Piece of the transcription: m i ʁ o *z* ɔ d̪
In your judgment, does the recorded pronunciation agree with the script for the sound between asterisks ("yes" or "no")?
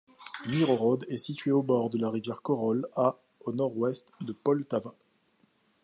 no